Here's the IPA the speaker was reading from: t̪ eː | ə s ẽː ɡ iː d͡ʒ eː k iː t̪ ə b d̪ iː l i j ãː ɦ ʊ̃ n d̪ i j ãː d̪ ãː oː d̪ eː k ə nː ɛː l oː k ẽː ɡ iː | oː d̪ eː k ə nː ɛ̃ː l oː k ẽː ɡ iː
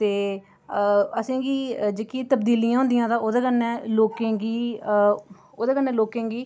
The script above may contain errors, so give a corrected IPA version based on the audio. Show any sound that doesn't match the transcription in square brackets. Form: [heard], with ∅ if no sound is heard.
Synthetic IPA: t̪ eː | ə s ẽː ɡ iː d͡ʒ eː k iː t̪ ə b d̪ iː l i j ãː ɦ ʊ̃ n d̪ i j ãː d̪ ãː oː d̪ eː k ə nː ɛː l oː k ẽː ɡ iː | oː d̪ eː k ə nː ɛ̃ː l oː k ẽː ɡ iː

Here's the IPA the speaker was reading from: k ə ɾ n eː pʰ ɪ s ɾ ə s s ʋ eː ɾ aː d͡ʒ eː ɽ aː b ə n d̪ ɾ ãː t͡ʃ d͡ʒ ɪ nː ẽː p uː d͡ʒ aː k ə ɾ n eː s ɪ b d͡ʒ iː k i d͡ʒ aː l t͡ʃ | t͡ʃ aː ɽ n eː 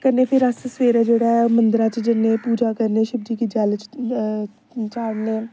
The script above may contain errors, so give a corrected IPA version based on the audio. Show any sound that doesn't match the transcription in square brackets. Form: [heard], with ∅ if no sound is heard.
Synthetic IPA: k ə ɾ n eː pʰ ɪ [∅] ɾ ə s s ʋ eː ɾ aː d͡ʒ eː ɽ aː [m] ə n d̪ ɾ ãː t͡ʃ d͡ʒ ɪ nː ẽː p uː d͡ʒ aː k ə ɾ n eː [ʃ] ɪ b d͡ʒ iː k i d͡ʒ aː l t͡ʃ | t͡ʃ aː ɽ n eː

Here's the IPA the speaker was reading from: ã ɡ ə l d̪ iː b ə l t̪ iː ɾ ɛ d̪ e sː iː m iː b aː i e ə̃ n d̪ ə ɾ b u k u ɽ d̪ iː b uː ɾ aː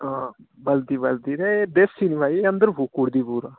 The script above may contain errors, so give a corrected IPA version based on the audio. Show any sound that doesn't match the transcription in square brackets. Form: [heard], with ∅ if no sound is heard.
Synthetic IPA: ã [b] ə l d̪ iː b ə l [d̪] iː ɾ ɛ d̪ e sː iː [n] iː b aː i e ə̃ n d̪ ə ɾ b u k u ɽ d̪ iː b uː ɾ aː

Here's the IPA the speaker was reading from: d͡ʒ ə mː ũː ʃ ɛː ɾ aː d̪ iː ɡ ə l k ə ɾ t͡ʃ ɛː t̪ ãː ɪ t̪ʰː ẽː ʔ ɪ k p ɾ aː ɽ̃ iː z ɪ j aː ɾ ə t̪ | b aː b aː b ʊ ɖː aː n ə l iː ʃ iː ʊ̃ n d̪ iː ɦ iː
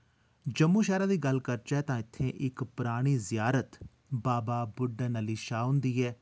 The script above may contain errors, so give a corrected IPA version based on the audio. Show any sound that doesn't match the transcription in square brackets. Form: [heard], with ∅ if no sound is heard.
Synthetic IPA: d͡ʒ ə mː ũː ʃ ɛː ɾ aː d̪ iː ɡ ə l k ə ɾ t͡ʃ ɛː t̪ ãː ɪ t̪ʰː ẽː ʔ ɪ k p ɾ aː ɽ̃ iː z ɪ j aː ɾ ə t̪ | b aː b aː b ʊ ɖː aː n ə l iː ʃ [aː] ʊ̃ n d̪ iː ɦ [ɛː]

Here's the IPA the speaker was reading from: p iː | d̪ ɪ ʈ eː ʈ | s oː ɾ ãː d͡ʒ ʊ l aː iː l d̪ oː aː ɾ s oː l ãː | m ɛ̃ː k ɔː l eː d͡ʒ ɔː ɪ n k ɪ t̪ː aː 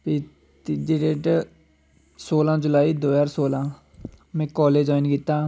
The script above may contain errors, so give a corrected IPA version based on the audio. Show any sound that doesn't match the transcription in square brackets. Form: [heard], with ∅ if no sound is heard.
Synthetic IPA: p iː | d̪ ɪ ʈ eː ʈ | s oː [l] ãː d͡ʒ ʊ l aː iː [∅] d̪ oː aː ɾ s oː l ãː | m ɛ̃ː k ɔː l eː d͡ʒ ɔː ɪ n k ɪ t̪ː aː

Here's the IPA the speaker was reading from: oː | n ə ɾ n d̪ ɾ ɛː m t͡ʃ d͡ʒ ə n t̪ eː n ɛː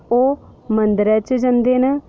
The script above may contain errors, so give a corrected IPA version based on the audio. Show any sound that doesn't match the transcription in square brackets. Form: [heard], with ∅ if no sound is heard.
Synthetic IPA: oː | [m] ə [∅] n d̪ ɾ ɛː [∅] t͡ʃ d͡ʒ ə n [d̪] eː n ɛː

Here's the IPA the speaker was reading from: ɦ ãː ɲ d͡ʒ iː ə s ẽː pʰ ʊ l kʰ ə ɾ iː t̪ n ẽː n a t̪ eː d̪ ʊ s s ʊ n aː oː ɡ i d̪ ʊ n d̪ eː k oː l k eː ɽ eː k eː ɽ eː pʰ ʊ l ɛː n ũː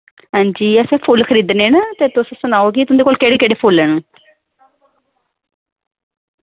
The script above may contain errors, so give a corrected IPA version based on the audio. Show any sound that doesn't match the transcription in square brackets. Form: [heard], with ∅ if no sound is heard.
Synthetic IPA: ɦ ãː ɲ d͡ʒ iː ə s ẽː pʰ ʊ l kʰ ə ɾ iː [d̪] n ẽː n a t̪ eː [t̪] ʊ s s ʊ n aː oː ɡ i [t̪] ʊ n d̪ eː k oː l k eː ɽ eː k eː ɽ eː pʰ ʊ l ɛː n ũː

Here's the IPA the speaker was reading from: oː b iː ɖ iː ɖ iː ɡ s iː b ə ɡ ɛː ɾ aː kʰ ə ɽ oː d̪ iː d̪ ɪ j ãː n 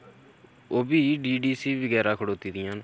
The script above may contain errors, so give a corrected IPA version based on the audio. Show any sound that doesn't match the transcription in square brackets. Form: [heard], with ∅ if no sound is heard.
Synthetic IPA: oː b iː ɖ iː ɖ iː [∅] s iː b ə ɡ ɛː ɾ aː kʰ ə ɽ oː [t̪] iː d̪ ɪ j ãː n

